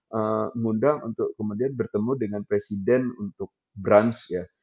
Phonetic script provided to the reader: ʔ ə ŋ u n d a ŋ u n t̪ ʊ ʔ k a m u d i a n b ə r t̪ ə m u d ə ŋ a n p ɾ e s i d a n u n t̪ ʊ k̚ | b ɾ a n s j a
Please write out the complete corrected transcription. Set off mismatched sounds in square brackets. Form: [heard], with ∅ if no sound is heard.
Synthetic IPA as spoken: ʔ ə ŋ u n d a ŋ u n t̪ ʊ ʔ k [ə] m u d i a n b ə r t̪ ə m u d ə ŋ a n p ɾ e s i d [ɛ] n u n t̪ ʊ k̚ | b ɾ a n s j a

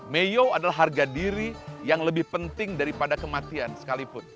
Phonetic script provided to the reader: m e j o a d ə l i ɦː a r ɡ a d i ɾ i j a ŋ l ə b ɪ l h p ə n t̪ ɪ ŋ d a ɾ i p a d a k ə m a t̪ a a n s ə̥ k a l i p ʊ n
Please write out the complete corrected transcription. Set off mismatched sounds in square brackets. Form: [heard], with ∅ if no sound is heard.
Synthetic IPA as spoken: m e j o a d [a] l [a] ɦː a r ɡ a d i ɾ i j a ŋ l ə b ɪ [∅] h p ə n t̪ ɪ ŋ d a ɾ i p a d a k ə m a t̪ [i] a n s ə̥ k a l i p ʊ n

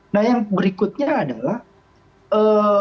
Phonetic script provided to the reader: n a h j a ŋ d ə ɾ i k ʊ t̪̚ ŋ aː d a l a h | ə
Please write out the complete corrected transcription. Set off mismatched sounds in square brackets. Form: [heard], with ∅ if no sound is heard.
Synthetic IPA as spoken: n a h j a ŋ [b] ə ɾ i k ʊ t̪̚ [ɲ] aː d a l a h | ə

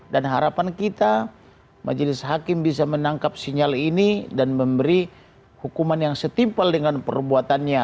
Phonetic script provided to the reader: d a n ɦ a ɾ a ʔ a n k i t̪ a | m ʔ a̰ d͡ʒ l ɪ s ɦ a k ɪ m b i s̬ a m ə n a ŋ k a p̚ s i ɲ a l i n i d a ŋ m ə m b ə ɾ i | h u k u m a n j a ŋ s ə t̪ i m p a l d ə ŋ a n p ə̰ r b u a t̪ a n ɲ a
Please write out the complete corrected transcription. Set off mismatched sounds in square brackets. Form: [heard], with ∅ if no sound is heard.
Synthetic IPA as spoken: d a n ɦ a ɾ a [p] a n k i t̪ a | m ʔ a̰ d͡ʒ l ɪ s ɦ a k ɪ m b i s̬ a m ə n a ŋ k a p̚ s i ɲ a l i n i d a [n] m ə m b ə ɾ i | h u k u m a n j a ŋ s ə t̪ i m p a l d ə ŋ a n p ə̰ r b u a t̪ a n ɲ a

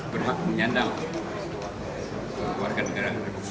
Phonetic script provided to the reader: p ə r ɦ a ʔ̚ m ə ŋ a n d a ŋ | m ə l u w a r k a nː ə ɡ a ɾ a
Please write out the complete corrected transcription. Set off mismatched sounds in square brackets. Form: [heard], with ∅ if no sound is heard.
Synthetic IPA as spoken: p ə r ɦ a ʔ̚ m ə [ɲ] a n d a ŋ | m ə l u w a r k a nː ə ɡ a ɾ a

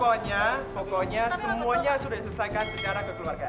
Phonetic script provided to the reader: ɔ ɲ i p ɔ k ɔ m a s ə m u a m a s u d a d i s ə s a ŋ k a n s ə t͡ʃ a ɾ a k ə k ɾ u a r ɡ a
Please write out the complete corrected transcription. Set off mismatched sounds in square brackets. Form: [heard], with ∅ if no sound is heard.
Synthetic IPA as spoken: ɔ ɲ [a] p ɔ k ɔ [ɲ] a s ə m u a [ɲ] a s u d a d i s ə s a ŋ k a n s ə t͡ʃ a ɾ a k ə k [l] u a r ɡ a

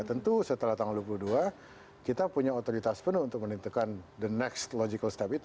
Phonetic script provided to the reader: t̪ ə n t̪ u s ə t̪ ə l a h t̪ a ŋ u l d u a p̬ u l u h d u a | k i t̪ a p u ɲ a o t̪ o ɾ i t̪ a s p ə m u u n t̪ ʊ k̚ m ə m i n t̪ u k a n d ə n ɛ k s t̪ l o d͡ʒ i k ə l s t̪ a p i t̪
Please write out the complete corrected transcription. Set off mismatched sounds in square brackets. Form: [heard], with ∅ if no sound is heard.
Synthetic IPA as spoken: t̪ ə n t̪ u s ə t̪ ə l a h t̪ a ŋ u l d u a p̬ u l u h d u a | k i t̪ a p u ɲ a o t̪ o ɾ i t̪ a s p ə [n] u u n t̪ ʊ k̚ m ə [n] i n t̪ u k a n d ə n ɛ k s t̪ l o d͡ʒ i k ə l s t̪ a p i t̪

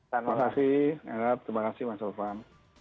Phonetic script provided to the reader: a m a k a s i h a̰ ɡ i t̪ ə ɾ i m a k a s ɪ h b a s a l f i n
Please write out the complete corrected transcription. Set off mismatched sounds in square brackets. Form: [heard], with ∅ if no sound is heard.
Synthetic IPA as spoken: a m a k a s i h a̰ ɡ [a] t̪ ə ɾ i m a k a s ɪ h [m] a s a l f [a] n

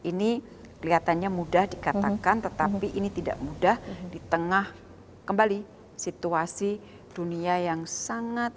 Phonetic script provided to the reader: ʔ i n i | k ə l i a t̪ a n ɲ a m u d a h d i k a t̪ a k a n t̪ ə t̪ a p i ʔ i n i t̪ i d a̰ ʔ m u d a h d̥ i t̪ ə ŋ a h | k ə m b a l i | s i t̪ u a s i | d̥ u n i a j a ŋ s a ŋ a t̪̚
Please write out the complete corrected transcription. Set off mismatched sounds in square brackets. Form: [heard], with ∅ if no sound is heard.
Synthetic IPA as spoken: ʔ i n i | k ə l i a t̪ a n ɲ a m u d a h d i k a t̪ a k a n t̪ ə t̪ a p i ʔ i n i t̪ i d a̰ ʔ m u d a h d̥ i t̪ ə ŋ a h | k ə m b a l i | s i t̪ u a s i | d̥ u n i a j a ŋ s a ŋ a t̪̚

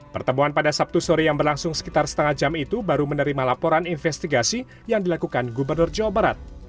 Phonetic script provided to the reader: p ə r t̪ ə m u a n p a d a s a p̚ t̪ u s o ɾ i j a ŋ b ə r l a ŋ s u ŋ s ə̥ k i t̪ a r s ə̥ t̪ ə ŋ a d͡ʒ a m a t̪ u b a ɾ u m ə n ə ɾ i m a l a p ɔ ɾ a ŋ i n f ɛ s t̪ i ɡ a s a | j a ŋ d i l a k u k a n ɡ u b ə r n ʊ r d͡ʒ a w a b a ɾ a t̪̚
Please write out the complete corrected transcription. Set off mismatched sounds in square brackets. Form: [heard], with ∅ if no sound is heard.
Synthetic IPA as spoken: p ə r t̪ ə m u a n p a d a s a p̚ t̪ u s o ɾ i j a ŋ b ə r l a ŋ s [ʊ] ŋ s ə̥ k i t̪ a r s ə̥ t̪ ə ŋ a d͡ʒ a m [i] t̪ u b a ɾ u m ə n ə ɾ i m a l a p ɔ ɾ a [n] i n f ɛ s t̪ i ɡ a s [i] | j a ŋ d i l a k u k a n ɡ u b ə r n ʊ r d͡ʒ a w a b a ɾ a t̪̚

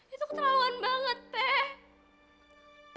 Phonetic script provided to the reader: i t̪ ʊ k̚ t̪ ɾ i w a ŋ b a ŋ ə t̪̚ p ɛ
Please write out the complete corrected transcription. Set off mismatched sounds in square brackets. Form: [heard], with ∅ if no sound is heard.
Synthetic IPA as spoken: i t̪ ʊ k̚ t̪ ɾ [a] w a [n] b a ŋ ə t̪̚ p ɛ

